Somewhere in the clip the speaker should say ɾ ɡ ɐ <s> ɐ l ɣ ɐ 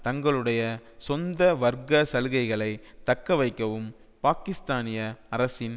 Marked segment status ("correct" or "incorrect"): correct